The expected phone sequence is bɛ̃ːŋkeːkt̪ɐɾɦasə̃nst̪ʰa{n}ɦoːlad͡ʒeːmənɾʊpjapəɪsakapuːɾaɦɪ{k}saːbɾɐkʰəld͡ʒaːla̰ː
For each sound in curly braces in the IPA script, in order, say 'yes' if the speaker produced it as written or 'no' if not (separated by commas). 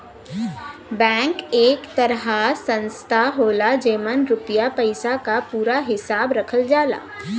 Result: no, no